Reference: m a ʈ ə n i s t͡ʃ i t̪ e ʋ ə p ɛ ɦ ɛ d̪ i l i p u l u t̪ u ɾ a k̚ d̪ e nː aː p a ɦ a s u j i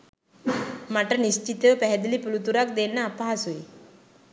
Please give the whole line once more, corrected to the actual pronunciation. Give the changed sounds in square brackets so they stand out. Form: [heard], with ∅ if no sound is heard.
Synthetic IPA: m a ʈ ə n i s t͡ʃ i t̪ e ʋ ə p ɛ ɦ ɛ d̪ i l i p u l u t̪ u ɾ a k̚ d̪ e nː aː p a ɦ a s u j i